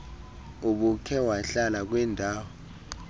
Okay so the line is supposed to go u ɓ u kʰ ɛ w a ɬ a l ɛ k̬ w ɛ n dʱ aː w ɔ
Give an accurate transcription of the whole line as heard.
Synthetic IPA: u ɓ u kʰ ɛ w a ɬ a l a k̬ w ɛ n dʱ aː w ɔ